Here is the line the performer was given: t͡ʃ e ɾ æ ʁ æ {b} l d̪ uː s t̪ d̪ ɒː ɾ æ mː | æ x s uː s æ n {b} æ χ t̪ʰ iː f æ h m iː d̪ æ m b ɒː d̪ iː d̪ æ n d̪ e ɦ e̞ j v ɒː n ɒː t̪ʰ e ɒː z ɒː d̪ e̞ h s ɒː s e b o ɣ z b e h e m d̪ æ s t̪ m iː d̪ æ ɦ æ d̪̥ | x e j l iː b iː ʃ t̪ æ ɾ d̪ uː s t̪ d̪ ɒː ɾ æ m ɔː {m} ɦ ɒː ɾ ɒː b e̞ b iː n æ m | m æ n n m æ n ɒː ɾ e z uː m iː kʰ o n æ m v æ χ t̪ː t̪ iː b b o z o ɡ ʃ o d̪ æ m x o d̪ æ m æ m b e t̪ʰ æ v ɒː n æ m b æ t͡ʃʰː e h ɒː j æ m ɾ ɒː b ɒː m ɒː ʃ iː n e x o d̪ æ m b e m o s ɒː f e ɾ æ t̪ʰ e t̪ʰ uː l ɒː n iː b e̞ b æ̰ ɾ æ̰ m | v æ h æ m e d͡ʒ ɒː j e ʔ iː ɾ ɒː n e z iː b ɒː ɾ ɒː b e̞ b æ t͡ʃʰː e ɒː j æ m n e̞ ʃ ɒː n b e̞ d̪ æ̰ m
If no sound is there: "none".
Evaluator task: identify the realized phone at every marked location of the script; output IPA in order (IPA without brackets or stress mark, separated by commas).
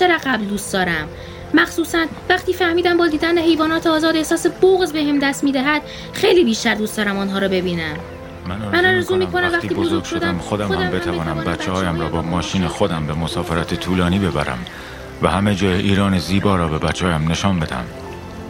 b, v, n